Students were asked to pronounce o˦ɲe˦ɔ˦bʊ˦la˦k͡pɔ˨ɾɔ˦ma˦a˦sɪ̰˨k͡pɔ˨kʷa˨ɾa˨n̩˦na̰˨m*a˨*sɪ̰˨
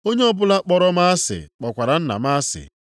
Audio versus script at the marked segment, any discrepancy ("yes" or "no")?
yes